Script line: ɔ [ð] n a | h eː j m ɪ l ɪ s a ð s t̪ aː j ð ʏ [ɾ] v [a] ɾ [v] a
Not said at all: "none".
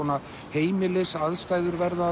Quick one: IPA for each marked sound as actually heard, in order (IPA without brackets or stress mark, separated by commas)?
none, ɾ, ɛ, ð